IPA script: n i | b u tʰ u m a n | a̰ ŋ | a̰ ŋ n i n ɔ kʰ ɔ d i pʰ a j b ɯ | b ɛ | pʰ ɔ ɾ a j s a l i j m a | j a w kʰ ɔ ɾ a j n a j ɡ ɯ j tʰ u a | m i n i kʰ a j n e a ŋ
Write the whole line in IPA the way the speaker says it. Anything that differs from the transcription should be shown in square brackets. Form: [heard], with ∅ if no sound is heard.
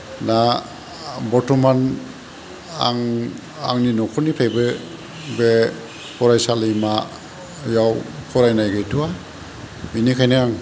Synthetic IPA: n [a] | b [ɔ] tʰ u m a n | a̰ ŋ | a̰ ŋ n i n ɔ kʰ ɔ [n] i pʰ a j b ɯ | b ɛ | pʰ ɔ ɾ a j s a l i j m a | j a w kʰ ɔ ɾ a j n a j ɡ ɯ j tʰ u a | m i n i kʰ a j n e a ŋ